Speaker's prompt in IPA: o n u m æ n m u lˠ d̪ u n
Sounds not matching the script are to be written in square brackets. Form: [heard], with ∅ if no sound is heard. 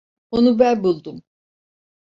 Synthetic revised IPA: o n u [b] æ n [b] u lˠ d̪ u [m]

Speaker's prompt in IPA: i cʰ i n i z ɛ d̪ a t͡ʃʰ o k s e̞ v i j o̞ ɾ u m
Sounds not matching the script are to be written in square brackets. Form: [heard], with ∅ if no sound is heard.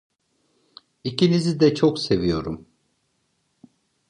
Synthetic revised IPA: i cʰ i n i z [i] d̪ [ɛ] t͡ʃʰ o k s e̞ v i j o̞ ɾ u m

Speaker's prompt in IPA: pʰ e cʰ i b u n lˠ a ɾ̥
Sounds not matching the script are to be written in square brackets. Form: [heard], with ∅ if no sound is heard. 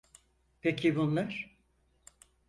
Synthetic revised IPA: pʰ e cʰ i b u n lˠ a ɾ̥

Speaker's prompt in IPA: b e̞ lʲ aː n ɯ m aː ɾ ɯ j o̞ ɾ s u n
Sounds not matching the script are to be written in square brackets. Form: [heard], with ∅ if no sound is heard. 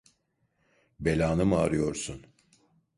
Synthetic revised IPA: b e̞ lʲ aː n ɯ m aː ɾ ɯ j o̞ ɾ s u n

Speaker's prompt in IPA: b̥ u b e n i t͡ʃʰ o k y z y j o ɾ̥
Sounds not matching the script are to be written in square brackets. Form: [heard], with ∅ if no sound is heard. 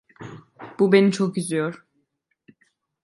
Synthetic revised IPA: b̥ u b e n i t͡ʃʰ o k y z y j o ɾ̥

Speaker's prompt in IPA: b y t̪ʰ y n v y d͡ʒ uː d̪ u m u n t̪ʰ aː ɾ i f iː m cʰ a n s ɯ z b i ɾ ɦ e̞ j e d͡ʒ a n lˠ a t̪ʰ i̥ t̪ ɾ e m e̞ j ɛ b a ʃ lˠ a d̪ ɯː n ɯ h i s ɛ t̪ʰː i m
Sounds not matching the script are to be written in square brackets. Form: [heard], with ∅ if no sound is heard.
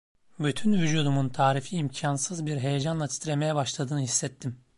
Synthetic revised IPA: b y t̪ʰ y n v y d͡ʒ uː d̪ u m u n t̪ʰ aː ɾ i f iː m cʰ a n s ɯ z b i ɾ ɦ e̞ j e d͡ʒ a n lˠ a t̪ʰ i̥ t̪ ɾ e m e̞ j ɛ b a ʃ lˠ a d̪ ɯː n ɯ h i [sː] ɛ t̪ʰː i m

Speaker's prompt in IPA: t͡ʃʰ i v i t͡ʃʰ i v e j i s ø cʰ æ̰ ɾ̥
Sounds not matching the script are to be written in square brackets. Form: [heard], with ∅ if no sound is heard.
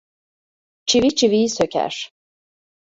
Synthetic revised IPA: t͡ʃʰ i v i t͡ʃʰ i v [i] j i s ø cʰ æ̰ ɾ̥

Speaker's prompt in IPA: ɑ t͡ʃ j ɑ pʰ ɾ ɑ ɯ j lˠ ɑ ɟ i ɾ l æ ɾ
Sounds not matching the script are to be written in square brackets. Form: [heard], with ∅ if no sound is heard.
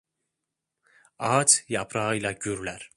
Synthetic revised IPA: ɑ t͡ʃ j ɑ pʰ ɾ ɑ ɯ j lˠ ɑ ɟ [y] ɾ l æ ɾ

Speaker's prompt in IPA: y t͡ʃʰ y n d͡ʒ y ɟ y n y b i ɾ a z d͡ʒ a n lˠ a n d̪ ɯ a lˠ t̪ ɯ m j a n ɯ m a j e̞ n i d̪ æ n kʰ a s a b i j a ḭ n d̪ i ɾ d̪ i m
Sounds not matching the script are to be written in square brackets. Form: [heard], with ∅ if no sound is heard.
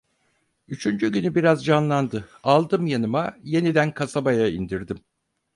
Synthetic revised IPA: y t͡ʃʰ y n d͡ʒ y ɟ y n y b i ɾ a z d͡ʒ a n lˠ a n d̪ ɯ a lˠ [d̪] ɯ m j a n ɯ m a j e̞ n i d̪ æ n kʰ a s a b [a] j a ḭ n d̪ i ɾ d̪ i m

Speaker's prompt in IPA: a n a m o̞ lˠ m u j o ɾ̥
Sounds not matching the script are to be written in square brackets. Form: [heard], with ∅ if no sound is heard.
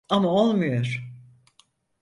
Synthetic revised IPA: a [m] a [∅] o̞ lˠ m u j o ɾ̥

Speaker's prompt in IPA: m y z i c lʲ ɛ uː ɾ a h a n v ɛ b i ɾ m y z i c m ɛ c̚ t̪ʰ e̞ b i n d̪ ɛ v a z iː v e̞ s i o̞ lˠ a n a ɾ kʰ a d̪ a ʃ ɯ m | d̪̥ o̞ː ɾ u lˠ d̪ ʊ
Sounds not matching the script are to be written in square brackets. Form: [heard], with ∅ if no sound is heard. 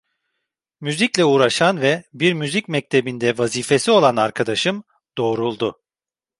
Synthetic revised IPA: m y z i c lʲ ɛ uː ɾ a [ʃ] a n v ɛ b i ɾ m y z i c m ɛ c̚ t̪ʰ e̞ b i n d̪ ɛ v a z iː [f] e̞ s i o̞ lˠ a n a ɾ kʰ a d̪ a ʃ ɯ m | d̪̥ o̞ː ɾ u lˠ d̪ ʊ

